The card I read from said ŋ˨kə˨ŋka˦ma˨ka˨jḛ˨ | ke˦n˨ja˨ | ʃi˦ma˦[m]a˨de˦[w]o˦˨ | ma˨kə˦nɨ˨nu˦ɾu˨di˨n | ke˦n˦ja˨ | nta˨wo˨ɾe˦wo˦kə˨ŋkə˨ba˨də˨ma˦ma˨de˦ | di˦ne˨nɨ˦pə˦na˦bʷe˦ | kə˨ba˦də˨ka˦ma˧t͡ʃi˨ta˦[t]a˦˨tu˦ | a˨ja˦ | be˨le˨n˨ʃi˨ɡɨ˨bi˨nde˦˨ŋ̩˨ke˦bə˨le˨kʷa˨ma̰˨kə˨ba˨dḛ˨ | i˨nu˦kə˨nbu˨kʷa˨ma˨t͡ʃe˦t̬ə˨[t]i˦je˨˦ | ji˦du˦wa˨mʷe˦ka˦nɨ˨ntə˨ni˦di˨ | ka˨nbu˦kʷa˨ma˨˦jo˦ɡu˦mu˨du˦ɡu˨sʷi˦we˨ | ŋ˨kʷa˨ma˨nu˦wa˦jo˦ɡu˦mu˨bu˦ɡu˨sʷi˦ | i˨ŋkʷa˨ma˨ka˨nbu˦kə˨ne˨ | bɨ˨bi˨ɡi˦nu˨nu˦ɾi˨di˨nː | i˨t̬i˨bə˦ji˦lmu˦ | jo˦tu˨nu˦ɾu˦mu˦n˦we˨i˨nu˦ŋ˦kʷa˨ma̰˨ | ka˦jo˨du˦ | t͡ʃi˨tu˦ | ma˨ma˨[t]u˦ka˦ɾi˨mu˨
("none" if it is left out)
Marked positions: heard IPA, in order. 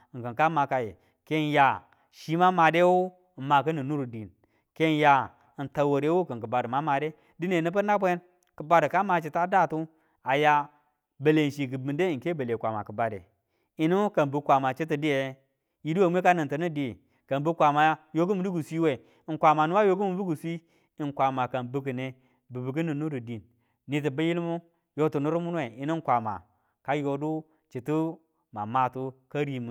m, w, d, d, t

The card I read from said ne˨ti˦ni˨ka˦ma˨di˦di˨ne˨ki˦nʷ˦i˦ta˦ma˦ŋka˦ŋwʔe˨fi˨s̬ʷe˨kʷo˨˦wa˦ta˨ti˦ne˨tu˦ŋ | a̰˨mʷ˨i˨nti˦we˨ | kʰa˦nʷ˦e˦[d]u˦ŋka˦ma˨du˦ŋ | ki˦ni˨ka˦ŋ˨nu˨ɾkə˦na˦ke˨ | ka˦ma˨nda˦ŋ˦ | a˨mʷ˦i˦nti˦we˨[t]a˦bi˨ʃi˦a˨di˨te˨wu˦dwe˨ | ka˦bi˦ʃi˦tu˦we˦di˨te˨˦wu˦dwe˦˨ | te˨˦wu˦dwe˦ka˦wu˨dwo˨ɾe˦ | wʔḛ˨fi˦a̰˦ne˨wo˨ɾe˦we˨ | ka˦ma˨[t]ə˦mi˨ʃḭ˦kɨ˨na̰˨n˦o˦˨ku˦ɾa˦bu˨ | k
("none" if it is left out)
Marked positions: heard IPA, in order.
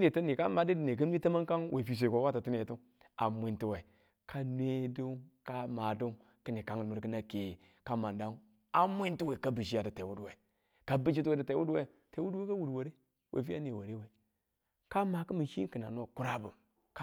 d, k, k

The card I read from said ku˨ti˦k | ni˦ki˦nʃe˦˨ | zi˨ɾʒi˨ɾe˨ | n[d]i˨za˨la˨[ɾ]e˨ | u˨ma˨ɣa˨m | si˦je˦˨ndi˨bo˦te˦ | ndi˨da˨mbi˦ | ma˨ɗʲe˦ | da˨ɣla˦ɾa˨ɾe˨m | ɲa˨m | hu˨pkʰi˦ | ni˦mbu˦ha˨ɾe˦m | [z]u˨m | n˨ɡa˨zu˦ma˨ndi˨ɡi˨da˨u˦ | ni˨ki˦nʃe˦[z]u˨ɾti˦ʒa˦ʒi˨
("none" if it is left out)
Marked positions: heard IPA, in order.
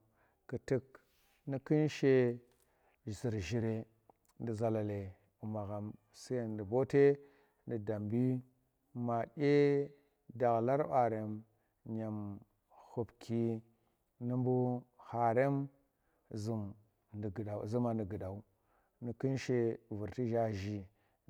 d, l, z, v

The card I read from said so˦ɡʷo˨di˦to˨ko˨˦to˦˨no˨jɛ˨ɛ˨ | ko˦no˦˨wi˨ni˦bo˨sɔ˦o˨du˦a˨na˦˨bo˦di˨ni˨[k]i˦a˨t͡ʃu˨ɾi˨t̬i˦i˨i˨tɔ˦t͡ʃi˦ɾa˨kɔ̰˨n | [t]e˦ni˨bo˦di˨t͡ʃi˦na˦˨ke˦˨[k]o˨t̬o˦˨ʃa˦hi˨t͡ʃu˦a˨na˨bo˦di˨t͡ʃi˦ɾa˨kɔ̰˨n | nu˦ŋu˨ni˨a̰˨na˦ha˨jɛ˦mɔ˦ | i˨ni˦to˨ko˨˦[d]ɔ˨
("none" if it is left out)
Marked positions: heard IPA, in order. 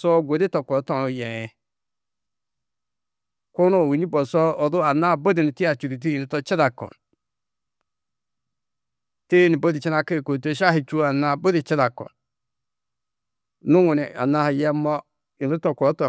t, t, k, t

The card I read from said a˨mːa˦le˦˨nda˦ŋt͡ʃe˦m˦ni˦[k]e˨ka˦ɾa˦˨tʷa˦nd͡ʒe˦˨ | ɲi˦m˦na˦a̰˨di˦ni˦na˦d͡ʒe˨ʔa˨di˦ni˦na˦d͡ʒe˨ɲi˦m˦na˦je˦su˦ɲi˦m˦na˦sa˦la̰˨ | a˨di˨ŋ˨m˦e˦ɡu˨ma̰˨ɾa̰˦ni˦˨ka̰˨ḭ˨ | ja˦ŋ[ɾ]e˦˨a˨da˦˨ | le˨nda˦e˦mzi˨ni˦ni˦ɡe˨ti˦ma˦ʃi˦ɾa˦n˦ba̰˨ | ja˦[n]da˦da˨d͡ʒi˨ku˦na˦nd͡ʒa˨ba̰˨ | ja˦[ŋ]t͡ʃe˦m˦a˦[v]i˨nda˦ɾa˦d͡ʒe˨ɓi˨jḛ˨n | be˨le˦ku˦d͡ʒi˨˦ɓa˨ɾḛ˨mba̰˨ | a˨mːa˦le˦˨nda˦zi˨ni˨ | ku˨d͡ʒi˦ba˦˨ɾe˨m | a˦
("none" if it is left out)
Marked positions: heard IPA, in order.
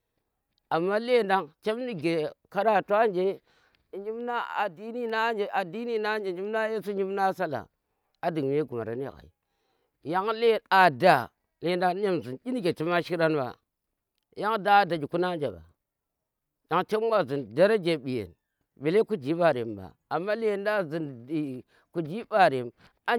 ɡ, l, ŋ, ŋ, z

